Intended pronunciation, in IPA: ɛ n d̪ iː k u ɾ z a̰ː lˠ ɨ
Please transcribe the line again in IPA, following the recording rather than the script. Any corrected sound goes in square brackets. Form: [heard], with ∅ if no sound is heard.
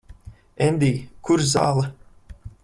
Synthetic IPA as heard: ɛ n d̪ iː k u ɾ z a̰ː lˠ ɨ